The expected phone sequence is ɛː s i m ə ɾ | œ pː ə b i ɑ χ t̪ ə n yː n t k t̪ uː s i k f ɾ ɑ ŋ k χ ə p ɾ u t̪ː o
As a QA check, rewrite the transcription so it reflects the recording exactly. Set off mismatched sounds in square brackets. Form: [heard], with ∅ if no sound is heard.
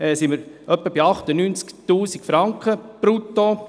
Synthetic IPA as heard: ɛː s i m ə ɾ | œ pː ə b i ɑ χ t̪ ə n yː n [t͡s] k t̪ uː s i k f ɾ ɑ ŋ k χ ə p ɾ u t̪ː o

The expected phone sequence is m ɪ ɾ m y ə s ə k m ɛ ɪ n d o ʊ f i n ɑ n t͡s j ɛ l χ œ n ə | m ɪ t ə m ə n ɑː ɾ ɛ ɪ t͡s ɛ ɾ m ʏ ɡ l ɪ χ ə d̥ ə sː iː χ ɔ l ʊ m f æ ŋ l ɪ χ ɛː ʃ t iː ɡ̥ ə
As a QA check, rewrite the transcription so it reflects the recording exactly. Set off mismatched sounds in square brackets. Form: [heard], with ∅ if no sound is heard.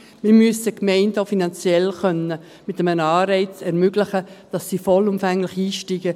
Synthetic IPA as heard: m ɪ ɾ m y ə s ə k m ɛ ɪ n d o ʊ f i n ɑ n t͡s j ɛ l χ œ n ə | m ɪ t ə m ə n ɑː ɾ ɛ ɪ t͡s ɛ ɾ m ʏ ɡ l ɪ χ ə d̥ [ɑ] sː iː [f] ɔ l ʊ m f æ ŋ l ɪ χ [iː] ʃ t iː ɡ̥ ə

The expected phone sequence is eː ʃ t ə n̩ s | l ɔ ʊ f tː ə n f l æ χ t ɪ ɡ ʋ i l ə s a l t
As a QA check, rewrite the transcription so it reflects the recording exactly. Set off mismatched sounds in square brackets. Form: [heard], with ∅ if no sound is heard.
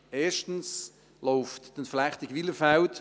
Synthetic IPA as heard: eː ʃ t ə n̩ s | l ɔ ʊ f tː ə n f l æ χ t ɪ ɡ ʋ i l ə [f] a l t

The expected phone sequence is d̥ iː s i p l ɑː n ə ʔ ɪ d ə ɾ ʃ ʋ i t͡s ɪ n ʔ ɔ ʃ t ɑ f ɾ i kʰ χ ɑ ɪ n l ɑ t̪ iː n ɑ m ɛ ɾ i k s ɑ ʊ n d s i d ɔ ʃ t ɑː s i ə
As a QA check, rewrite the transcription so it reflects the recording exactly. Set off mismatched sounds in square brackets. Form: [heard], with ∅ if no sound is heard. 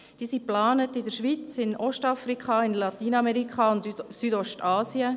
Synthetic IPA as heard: d̥ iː s i p l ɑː n ə [t] ɪ d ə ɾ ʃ ʋ i t͡s ɪ n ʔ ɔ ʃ t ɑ f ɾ i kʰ χ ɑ ɪ n l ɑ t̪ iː n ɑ m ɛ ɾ i k [χ] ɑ ʊ n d s [y] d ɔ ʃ t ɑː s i ə

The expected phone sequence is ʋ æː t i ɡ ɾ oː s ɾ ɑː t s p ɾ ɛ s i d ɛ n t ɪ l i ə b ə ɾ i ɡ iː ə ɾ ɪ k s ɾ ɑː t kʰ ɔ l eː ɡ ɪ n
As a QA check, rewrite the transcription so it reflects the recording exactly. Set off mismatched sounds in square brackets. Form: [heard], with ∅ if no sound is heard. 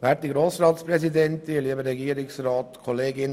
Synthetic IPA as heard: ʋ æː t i ɡ ɾ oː s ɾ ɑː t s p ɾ ɛ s i d ɛ n t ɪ l i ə b ə ɾ [ɛ] ɡ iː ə ɾ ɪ k s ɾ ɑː t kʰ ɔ l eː ɡ ɪ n

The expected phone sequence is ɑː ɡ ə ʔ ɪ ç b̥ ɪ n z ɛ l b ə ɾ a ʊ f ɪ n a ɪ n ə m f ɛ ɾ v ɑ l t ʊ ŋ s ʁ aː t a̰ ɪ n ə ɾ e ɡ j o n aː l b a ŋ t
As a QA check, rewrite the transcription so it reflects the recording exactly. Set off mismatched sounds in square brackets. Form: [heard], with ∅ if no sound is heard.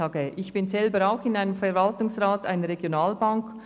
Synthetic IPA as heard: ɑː ɡ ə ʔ ɪ ç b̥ ɪ n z ɛ l b ə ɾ a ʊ [x] ɪ n a ɪ n ə m f ɛ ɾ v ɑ l t ʊ ŋ s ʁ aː t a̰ ɪ n ə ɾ e ɡ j o n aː l b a ŋ [k]

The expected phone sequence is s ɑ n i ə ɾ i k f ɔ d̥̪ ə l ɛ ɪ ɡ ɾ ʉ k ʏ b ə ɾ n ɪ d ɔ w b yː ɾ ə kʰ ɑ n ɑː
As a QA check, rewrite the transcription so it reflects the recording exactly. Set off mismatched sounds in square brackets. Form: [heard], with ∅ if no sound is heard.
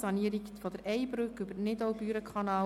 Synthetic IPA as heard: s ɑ n i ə ɾ i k f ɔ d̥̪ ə [ɾ] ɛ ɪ [b] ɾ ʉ k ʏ b ə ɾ n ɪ d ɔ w b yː ɾ ə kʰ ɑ n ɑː

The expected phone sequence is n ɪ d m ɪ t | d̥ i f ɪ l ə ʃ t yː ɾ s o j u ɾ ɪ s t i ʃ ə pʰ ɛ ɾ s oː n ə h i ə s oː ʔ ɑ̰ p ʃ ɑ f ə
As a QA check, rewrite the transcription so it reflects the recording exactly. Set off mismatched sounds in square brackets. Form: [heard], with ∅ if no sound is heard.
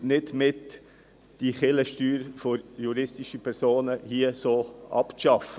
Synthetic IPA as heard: n ɪ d m ɪ t | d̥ i [χ] ɪ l ə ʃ t yː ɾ [f] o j u ɾ ɪ s t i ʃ ə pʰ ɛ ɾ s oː n ə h i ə s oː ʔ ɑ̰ p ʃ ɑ f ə

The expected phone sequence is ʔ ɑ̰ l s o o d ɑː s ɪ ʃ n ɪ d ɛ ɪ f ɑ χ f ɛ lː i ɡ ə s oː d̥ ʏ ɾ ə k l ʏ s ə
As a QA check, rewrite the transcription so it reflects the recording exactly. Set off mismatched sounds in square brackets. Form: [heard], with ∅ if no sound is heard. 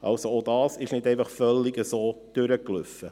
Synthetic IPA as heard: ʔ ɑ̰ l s o o d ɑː s ɪ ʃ n ɪ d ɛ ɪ f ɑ χ f [œ] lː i ɡ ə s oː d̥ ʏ ɾ ə k l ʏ [f] ə

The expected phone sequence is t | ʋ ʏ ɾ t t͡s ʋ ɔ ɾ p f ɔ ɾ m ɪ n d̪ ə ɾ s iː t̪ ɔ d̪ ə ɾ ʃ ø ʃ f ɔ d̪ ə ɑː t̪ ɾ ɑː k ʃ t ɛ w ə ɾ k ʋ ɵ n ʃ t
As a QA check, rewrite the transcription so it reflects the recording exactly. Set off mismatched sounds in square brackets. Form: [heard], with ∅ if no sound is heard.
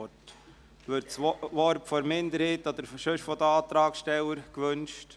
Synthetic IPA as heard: t | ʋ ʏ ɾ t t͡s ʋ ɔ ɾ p f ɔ ɾ m ɪ n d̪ ə ɾ [h] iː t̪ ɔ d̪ ə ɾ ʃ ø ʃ f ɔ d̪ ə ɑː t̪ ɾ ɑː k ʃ t ɛ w ə ɾ k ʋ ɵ n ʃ t

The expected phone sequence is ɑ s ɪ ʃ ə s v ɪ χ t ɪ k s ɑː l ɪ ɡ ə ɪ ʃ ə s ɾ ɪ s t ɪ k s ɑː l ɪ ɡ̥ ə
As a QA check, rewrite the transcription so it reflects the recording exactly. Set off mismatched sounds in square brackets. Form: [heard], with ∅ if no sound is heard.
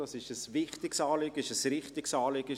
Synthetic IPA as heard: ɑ s ɪ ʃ ə s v ɪ χ t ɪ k s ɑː l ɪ ɡ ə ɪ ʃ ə s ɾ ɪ [χ] t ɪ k s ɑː l ɪ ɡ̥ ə

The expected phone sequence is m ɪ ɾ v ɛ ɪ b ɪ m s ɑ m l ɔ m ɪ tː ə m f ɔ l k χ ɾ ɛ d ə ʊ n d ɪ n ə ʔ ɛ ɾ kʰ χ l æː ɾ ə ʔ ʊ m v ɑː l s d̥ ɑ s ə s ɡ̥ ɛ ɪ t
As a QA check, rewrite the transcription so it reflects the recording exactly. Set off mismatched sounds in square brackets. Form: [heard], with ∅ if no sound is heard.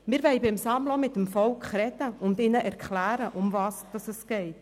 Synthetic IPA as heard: m ɪ ɾ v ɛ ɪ b ɪ m s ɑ m l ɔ m ɪ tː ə m f ɔ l k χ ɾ ɛ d ə ʊ n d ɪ n ə ʔ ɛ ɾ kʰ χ l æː ɾ ə ʔ ʊ m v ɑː [∅] s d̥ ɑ s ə s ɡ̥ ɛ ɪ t

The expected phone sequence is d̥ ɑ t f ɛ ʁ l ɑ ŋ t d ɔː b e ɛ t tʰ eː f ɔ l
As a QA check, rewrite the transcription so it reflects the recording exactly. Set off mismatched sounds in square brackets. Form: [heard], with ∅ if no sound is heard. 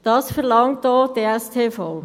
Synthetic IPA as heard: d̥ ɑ [s] f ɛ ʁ l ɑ ŋ t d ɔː [d] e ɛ [s] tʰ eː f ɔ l

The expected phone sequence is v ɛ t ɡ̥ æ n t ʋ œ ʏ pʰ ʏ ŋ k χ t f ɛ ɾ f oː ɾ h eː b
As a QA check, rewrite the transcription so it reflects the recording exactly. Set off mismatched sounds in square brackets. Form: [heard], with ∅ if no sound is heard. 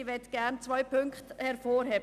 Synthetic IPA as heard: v ɛ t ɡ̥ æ n [t͡s] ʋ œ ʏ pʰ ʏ ŋ k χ t [h] ɛ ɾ f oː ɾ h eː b

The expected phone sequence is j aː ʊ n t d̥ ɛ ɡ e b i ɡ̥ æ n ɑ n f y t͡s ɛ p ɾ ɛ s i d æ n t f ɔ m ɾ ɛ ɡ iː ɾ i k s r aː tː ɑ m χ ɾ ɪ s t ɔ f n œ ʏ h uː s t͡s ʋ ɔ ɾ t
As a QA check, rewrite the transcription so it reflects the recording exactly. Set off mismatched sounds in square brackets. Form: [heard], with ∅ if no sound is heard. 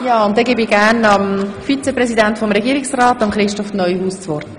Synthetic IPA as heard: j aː ʊ n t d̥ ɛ ɡ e b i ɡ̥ æ n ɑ [m] f [i] t͡s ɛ p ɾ ɛ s i d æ n t f ɔ m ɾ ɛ ɡ iː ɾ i k s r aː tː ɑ m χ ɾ ɪ [ʃ] t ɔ f n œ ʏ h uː s t͡s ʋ ɔ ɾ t

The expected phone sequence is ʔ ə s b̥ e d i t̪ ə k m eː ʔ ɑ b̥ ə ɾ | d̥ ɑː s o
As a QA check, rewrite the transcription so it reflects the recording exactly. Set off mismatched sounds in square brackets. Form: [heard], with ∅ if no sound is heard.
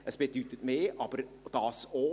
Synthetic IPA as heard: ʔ ə s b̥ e d [y] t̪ ə [t] m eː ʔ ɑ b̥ ə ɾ | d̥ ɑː s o

